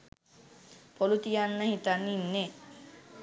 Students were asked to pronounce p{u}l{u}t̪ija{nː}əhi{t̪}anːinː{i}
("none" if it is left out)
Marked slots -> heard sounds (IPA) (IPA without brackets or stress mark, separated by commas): o, u, nː, t̪, e